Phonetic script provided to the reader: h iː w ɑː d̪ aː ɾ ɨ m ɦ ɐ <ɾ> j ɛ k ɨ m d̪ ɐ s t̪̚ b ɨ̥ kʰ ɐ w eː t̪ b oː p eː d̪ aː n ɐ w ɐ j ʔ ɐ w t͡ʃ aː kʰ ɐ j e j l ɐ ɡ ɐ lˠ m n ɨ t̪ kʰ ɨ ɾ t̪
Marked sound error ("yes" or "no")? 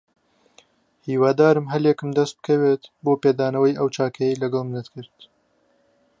yes